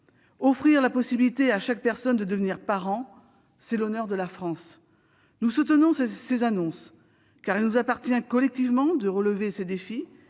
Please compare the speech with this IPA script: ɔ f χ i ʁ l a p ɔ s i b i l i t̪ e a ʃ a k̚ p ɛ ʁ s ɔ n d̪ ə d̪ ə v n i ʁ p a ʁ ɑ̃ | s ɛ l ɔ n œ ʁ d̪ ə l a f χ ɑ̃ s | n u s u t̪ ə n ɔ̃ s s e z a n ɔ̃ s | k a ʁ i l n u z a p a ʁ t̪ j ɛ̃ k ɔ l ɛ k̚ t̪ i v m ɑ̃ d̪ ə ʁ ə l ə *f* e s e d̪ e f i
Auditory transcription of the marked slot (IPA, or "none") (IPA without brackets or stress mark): v